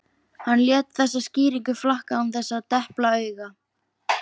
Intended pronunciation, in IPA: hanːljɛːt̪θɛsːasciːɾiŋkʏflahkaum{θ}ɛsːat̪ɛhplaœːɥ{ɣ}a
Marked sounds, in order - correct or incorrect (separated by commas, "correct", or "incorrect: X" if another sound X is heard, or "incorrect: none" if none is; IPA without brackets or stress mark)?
correct, correct